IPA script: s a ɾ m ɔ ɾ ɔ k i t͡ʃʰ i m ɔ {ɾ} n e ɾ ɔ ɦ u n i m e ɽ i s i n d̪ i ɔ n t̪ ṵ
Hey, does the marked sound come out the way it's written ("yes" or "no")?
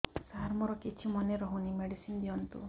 no